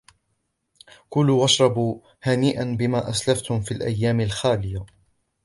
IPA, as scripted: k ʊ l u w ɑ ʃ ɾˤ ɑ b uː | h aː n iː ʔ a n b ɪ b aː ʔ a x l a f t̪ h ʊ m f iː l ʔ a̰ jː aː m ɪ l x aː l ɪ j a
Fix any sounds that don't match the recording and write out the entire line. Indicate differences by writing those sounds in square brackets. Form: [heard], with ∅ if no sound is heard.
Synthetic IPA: k ʊ l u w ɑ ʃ ɾˤ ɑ b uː | h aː n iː ʔ a n b ɪ [m] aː ʔ a [s] l a f t̪ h ʊ m f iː l ʔ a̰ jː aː m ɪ l x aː l ɪ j a